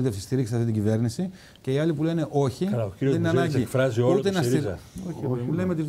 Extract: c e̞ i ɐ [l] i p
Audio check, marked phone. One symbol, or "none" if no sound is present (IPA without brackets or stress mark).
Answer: l